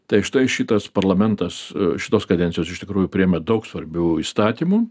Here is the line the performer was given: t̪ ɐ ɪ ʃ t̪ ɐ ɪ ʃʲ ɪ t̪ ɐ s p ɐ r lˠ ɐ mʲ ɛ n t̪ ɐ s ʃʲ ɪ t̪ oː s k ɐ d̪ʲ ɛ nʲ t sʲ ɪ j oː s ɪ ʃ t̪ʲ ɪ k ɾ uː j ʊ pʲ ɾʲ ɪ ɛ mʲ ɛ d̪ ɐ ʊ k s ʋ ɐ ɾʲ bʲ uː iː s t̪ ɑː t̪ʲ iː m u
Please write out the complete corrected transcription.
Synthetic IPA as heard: t̪ ɐ ɪ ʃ t̪ ɐ ɪ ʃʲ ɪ t̪ ɐ s p ɐ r lˠ ɐ mʲ ɛ n t̪ ɐ s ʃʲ ɪ t̪ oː s k ɐ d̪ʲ ɛ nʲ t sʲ ɪ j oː s ɪ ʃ t̪ʲ ɪ k ɾ uː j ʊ pʲ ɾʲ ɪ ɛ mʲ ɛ d̪ ɐ ʊ k s ʋ ɐ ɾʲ bʲ uː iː s t̪ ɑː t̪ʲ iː m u